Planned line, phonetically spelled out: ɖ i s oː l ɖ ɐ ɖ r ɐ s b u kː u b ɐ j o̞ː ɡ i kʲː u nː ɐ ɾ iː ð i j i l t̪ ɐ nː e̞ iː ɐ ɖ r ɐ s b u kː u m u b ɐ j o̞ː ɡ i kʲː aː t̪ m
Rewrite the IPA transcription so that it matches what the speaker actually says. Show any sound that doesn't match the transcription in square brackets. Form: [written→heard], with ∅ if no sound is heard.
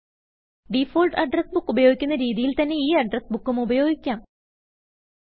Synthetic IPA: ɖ i [s→f] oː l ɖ ɐ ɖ r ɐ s b u kː u b ɐ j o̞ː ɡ i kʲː u nː ɐ ɾ iː ð i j i l t̪ ɐ nː e̞ iː ɐ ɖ r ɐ s b u kː u m u b ɐ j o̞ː ɡ i kʲː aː [t̪→∅] m